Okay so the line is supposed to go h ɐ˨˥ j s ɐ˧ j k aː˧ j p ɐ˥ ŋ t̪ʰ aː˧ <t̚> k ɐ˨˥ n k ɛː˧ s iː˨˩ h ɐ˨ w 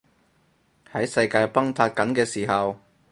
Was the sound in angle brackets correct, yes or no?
yes